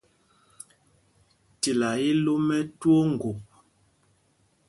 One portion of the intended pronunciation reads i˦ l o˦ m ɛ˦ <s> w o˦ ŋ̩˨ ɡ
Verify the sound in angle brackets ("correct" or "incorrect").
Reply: incorrect